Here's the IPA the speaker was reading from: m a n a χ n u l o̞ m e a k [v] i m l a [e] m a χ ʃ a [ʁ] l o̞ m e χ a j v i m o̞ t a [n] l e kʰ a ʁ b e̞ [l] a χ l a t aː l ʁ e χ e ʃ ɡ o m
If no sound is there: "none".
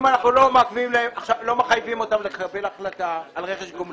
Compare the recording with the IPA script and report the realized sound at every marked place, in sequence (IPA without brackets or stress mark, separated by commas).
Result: v, e, v, m, l